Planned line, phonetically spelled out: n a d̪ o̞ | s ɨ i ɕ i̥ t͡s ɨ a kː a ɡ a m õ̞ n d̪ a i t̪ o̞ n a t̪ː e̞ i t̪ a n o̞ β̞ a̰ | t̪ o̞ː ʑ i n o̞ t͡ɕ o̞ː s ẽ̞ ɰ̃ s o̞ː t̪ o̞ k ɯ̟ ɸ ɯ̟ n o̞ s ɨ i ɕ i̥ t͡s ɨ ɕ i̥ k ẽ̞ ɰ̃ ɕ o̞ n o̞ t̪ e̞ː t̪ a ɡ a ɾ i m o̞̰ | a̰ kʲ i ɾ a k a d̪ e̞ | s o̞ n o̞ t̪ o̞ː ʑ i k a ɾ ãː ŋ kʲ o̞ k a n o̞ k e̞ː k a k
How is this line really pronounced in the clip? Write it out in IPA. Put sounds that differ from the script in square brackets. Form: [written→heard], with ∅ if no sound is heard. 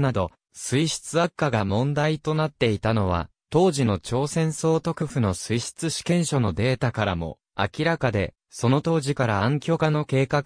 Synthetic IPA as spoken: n a d̪ o̞ | s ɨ i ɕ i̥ t͡s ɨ a kː a ɡ a m õ̞ n d̪ a i t̪ o̞ n a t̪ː e̞ i t̪ a n o̞ β̞ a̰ | t̪ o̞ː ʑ i n o̞ t͡ɕ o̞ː s ẽ̞ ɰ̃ s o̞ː t̪ o̞ k ɯ̟ ɸ ɯ̟ n o̞ s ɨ i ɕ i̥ t͡s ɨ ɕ i̥ k ẽ̞ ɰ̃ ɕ o̞ n o̞ [t̪→d̪] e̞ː t̪ a [ɡ→k] a ɾ [i→a] m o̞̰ | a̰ kʲ i ɾ a k a d̪ e̞ | s o̞ n o̞ t̪ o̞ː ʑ i k a ɾ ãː ŋ kʲ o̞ k a n o̞ k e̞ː k a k